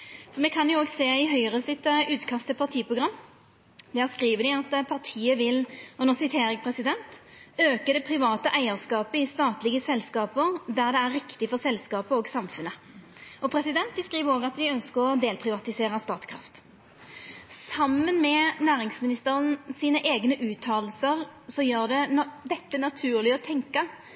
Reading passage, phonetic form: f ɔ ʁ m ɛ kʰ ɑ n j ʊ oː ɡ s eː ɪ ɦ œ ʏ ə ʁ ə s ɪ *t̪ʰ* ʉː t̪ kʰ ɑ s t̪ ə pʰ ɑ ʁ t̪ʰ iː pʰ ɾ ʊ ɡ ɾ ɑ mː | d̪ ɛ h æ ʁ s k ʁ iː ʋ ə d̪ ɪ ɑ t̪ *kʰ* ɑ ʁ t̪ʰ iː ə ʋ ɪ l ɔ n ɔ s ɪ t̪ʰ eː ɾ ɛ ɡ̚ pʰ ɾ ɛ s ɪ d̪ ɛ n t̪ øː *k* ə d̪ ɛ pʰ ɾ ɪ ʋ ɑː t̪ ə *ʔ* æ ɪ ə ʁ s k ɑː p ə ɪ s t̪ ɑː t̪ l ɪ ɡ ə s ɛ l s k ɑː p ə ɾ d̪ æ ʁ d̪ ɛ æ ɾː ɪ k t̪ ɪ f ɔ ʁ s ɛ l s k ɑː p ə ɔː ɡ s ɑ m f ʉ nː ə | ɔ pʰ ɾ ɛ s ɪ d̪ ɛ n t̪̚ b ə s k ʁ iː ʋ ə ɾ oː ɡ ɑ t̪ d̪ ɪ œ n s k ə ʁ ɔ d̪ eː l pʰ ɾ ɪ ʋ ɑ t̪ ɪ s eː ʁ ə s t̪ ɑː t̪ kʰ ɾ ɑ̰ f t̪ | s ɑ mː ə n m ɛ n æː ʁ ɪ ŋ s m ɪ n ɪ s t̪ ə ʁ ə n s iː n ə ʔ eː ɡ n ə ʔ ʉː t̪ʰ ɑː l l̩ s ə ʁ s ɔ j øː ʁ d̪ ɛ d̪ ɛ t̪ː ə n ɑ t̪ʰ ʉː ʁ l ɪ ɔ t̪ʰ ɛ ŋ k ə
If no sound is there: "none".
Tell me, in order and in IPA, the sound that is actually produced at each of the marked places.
t̪, pʰ, k, ʔ

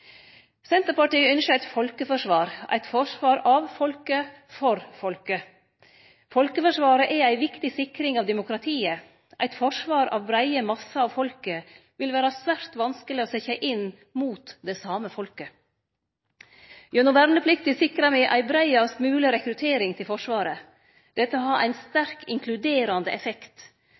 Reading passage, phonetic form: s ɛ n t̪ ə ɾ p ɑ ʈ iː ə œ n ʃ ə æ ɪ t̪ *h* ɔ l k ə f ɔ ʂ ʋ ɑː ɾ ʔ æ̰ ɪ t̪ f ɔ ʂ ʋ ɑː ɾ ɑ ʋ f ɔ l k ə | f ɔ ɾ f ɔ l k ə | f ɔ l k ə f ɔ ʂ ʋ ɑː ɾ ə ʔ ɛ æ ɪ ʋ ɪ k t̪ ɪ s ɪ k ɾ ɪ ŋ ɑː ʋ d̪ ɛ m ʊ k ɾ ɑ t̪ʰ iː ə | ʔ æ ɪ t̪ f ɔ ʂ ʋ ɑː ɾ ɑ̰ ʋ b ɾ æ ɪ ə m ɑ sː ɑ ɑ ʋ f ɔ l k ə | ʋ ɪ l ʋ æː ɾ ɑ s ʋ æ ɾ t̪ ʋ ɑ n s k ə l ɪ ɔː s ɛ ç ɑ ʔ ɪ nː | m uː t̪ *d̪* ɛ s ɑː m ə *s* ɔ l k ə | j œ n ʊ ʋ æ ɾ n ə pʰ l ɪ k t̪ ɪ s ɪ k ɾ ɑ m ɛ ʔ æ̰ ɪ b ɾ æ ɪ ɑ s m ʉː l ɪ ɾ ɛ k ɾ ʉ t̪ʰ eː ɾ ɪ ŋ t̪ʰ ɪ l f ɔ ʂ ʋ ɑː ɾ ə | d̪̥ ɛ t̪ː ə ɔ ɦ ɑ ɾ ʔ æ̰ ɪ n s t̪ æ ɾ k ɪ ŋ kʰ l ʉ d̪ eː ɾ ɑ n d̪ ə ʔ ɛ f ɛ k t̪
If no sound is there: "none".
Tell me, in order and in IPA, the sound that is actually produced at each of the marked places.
f, d̪, f

